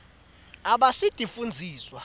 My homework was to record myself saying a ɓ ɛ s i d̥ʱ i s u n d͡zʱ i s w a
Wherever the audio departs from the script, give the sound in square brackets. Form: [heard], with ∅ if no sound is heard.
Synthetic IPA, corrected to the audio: a ɓ [a] s i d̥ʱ i [f] u n d͡zʱ [iː] s w a